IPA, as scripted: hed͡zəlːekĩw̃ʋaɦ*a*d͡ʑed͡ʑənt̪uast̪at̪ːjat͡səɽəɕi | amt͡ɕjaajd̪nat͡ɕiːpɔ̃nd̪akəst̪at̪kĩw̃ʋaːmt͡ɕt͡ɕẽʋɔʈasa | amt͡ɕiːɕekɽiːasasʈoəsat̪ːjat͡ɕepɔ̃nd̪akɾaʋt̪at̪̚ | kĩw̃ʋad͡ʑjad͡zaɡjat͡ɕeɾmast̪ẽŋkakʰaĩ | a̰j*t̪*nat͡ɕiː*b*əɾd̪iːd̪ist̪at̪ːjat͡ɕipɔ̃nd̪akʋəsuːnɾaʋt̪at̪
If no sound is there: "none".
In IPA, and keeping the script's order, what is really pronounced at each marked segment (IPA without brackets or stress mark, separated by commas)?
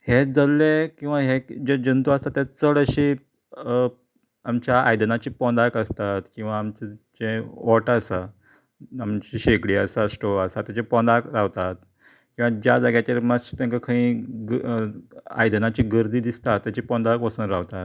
e, d̪, ɡ